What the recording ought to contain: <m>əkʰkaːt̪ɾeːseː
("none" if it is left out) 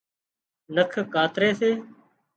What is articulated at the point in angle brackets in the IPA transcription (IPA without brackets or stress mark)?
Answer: n